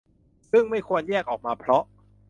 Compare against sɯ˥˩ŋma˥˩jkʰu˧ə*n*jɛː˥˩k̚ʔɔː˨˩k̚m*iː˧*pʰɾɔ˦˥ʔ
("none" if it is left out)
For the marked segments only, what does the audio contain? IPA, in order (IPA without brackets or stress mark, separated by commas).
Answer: n, aː˧